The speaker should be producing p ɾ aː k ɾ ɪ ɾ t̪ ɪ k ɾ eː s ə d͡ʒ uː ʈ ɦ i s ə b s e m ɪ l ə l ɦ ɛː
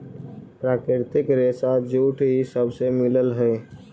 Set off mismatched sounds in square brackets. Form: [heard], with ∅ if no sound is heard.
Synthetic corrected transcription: p ɾ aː k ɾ ɪ ɾ t̪ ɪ k ɾ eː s [a] d͡ʒ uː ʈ ɦ i s ə b s e m ɪ l ə l ɦ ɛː